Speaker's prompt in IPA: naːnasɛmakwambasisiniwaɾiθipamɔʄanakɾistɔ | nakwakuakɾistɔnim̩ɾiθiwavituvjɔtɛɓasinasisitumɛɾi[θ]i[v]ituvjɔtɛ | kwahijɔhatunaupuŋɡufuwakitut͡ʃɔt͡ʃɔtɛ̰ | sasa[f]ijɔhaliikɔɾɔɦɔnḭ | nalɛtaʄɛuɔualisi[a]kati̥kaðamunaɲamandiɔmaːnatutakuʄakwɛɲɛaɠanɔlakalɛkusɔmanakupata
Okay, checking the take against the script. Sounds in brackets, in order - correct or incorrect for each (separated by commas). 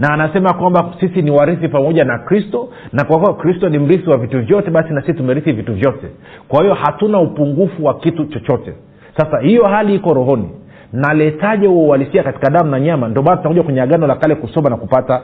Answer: correct, correct, incorrect, correct